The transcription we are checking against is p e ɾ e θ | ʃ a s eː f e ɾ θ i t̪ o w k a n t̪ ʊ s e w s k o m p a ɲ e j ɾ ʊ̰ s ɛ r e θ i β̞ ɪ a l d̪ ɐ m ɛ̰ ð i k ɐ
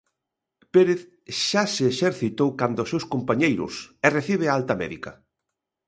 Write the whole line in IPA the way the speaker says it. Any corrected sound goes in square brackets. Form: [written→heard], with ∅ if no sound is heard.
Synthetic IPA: p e ɾ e θ | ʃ a s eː [f→ʃ] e ɾ θ i t̪ o w k a n [t̪→d̪] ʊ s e w s k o m p a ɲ e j ɾ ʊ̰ s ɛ r e θ i β̞ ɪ a l [d̪→t̪] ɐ m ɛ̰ ð i k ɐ